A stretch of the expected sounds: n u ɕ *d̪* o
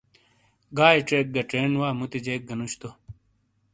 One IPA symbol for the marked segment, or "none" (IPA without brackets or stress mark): t̪